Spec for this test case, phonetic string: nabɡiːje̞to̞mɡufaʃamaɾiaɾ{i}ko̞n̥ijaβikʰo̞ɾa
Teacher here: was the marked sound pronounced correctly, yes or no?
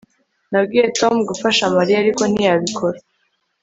yes